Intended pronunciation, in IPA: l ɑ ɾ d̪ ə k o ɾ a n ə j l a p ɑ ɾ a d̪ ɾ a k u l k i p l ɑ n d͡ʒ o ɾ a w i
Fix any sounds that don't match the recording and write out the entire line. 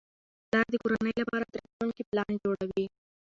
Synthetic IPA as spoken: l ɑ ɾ d̪ ə k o ɾ a n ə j l a p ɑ ɾ a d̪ ɾ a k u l k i p l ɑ n d͡ʒ o ɽ a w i

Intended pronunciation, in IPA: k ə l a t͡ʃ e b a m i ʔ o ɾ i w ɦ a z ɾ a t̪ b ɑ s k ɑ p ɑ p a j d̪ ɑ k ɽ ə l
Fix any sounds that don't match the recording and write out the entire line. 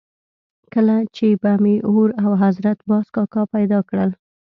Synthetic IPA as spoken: k ə l a t͡ʃ e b a m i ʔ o ɾ a w ɦ a z ɾ a t̪ b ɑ s k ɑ k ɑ p a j d̪ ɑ k ɽ ə l

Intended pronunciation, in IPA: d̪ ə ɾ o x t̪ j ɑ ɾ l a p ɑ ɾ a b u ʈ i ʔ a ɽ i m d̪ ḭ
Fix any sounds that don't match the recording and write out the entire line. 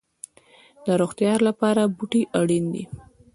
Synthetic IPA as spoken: d̪ ə ɾ o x t̪ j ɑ ɾ l a p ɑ ɾ a b u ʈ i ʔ a ɽ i n d̪ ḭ

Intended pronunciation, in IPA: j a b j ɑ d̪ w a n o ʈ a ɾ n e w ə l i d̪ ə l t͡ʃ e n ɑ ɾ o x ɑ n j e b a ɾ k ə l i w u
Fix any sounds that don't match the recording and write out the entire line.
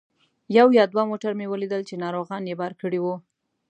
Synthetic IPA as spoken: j a w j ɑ d̪ w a m o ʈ a ɾ m e w ə l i d̪ ə l t͡ʃ e n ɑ ɾ o ɣ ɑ n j e b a ɾ k ə ɽ i w u

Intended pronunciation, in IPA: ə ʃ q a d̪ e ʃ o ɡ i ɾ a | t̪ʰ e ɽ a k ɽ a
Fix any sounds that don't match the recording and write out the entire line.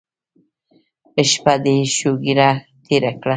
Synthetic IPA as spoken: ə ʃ p a d̪ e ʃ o ɡ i ɾ a | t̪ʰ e ɾ a k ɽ a

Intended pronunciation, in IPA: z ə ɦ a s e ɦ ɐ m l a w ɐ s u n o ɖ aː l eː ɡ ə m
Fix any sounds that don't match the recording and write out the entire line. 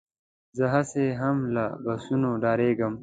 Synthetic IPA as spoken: z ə ɦ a s e ɦ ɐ m l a b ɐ s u n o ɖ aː ɾ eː ɡ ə m

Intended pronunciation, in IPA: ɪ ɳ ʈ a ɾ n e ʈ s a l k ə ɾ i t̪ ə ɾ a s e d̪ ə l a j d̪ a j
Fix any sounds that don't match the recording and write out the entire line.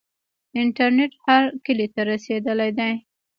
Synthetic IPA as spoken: ɪ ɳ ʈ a ɾ n e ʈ h a ɾ k ə l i t̪ a ɾ a s e d̪ ə l a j d̪ a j

